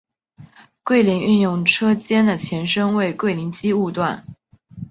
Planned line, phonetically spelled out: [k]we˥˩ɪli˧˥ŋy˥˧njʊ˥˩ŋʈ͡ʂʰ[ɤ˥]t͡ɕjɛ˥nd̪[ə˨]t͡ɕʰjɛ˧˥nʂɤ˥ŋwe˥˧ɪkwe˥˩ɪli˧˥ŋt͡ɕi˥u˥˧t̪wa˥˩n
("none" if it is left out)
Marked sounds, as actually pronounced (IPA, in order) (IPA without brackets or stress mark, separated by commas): k, ɤ˥, ə˨